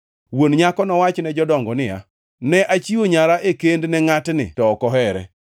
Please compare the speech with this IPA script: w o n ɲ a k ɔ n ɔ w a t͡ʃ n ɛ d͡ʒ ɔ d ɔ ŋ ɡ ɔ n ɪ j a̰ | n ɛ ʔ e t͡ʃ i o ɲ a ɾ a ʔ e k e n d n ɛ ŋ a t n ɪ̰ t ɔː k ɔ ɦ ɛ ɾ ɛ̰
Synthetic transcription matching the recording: w o n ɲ a k ɔ n ɔ w a t͡ʃ n ɛ d͡ʒ ɔ d ɔ ŋ ɡ ɔ n ɪ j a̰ | n ɛ ʔ a t͡ʃ i o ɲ a ɾ a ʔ e k e n d n ɛ ŋ a t n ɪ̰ t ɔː k ɔ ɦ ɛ ɾ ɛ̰